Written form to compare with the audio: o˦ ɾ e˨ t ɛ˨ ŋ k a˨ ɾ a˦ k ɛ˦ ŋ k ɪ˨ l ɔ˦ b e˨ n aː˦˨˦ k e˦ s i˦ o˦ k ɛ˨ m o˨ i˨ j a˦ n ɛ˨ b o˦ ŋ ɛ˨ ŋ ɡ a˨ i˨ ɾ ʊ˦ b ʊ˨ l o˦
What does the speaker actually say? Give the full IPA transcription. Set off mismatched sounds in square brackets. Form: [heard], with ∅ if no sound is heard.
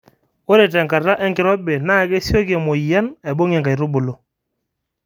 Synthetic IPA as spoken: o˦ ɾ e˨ t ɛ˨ ŋ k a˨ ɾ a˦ [ʔ] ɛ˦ ŋ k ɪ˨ [ɾ] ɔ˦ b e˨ n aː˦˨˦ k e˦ s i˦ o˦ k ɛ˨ m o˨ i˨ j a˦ n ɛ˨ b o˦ ŋ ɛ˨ ŋ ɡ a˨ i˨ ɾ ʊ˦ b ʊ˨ l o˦